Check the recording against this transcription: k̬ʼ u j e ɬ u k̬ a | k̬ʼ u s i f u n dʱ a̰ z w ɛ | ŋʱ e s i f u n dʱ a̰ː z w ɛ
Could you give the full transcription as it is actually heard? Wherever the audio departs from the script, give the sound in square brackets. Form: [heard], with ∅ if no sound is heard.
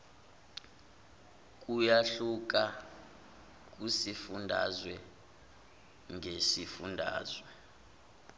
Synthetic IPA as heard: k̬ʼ u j [a] ɬ u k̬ a | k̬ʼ u s i f u n dʱ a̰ z w ɛ | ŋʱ e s i f u n dʱ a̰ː z w ɛ